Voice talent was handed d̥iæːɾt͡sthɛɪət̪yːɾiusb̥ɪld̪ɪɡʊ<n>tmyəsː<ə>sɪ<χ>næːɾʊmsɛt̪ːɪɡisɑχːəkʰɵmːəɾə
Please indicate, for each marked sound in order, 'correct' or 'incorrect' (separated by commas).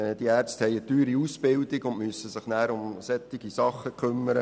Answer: correct, correct, correct